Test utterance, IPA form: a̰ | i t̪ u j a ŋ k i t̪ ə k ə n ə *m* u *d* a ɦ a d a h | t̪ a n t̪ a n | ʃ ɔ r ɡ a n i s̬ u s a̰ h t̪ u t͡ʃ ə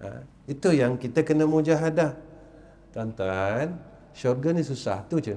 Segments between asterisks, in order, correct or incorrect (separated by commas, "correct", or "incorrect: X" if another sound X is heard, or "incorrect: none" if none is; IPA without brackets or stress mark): correct, incorrect: d͡ʒ